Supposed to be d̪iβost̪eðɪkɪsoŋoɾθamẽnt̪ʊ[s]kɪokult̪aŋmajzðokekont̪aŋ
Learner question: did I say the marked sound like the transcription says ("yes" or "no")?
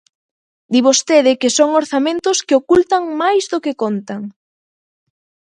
yes